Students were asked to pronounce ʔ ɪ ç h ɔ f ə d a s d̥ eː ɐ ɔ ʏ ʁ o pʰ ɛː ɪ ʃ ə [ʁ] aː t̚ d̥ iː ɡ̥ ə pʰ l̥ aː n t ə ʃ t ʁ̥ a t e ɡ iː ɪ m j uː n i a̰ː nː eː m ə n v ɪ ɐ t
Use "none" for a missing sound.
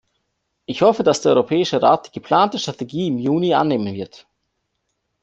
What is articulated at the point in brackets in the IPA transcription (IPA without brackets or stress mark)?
ʁ